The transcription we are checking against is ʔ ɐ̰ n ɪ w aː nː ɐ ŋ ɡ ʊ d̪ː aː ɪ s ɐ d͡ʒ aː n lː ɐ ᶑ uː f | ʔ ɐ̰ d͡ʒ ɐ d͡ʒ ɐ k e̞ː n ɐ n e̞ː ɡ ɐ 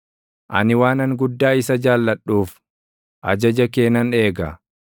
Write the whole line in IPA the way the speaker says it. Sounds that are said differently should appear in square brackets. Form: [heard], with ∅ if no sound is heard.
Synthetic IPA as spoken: ʔ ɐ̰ n ɪ w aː [n] ɐ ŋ ɡ ʊ d̪ː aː ɪ s ɐ d͡ʒ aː [∅] lː ɐ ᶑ uː f | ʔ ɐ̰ d͡ʒ ɐ d͡ʒ ɐ k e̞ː n ɐ n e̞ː ɡ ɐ